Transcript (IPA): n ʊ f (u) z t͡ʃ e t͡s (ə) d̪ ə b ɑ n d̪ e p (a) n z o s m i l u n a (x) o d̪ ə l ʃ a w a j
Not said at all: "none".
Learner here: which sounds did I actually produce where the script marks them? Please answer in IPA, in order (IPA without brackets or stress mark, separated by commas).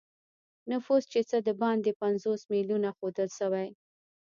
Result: u, ə, a, x